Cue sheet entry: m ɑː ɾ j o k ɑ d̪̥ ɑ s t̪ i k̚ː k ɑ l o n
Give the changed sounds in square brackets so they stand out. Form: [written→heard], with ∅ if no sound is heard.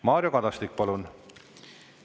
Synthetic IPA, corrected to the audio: m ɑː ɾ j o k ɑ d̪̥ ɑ s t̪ i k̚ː [k→p] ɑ l [o→u] n